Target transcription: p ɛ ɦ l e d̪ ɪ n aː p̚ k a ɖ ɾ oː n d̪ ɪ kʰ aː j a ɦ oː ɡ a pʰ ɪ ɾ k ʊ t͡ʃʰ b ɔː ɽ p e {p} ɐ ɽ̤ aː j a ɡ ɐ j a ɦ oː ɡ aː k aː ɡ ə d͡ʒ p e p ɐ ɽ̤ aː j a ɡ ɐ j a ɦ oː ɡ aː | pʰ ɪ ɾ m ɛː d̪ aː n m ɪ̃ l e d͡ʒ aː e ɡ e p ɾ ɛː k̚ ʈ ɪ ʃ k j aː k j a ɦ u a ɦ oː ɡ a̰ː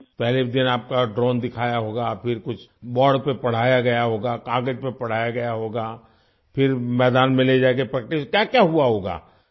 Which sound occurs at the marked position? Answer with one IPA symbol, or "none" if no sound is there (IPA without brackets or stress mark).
p